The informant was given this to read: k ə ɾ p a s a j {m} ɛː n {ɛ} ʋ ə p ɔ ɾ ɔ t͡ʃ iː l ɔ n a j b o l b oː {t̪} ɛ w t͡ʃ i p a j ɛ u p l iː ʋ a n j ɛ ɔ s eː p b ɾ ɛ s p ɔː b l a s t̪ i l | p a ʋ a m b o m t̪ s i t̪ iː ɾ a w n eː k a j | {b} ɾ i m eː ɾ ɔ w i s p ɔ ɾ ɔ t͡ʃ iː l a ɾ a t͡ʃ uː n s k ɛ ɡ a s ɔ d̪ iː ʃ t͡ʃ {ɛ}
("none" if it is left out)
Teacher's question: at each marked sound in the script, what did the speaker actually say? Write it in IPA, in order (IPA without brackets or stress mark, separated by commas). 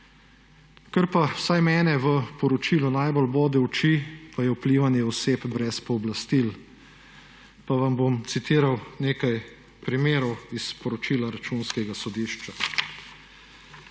m, ɛ, d̪, p, a